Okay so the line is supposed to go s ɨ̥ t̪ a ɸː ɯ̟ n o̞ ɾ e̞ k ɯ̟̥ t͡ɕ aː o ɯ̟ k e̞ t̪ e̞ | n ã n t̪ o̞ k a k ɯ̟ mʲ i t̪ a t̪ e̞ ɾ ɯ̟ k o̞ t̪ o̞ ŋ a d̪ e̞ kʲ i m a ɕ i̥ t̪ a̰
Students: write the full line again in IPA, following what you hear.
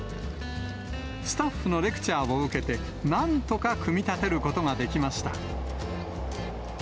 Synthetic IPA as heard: s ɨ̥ t̪ a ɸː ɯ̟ n o̞ ɾ e̞ k ɯ̟̥ t͡ɕ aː o ɯ̟ k e̞ t̪ e̞ | n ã n t̪ o̞ k a k ɯ̟ mʲ i t̪ a t̪ e̞ ɾ ɯ̟ k o̞ t̪ o̞ ŋ a d̪ e̞ kʲ i m a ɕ i̥ t̪ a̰